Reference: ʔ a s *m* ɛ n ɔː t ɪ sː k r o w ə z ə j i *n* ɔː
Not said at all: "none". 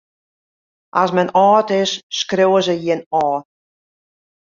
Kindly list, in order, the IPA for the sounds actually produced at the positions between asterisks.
m, n

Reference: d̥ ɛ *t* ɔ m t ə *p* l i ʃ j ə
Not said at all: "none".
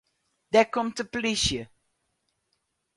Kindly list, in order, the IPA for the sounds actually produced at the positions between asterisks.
k, p

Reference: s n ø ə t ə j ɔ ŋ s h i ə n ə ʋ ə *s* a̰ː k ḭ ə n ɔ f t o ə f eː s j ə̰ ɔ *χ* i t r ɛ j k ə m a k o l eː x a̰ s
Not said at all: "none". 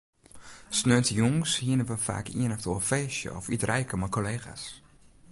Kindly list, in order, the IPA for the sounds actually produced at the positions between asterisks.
f, f

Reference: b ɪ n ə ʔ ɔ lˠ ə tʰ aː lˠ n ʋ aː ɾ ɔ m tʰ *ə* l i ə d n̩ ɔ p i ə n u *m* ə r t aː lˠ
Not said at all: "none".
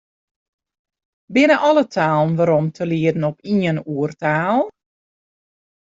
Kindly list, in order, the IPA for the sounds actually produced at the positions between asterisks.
ə, none

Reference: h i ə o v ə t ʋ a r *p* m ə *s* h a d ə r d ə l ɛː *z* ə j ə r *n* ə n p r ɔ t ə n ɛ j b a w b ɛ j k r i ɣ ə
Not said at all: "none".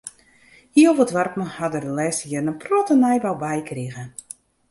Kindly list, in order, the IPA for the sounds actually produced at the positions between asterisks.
p, none, s, n

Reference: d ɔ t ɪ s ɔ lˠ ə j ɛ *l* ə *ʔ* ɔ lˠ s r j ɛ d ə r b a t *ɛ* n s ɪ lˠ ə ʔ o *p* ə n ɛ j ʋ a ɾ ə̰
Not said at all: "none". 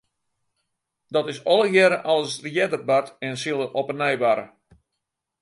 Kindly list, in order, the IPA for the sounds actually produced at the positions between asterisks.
ɾ, ʔ, ɛ, p

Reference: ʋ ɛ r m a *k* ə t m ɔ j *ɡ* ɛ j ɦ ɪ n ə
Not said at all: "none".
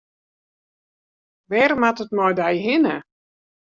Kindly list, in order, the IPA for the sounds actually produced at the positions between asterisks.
t, d

